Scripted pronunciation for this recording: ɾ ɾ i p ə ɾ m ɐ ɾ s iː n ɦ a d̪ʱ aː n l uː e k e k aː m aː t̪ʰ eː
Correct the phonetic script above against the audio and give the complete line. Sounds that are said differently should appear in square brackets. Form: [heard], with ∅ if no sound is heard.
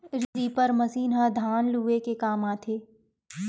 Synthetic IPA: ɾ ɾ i p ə ɾ m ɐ [∅] s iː n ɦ a d̪ʱ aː n l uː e k e k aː m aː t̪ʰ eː